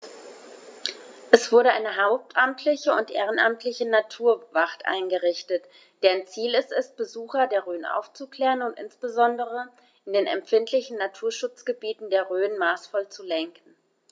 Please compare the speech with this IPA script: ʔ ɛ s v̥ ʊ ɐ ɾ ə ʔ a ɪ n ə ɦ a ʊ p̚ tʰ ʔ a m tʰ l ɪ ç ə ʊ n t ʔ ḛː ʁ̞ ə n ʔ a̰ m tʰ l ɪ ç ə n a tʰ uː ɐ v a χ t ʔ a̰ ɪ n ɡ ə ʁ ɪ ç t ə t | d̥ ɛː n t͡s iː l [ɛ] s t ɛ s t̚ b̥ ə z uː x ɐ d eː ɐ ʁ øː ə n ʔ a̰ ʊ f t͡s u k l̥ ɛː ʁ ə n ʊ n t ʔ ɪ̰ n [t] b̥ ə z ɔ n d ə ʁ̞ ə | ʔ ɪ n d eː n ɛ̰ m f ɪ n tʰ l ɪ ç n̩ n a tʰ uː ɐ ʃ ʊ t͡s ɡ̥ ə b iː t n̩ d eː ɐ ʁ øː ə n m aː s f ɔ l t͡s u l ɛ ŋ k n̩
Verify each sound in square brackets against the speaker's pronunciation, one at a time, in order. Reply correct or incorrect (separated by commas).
correct, incorrect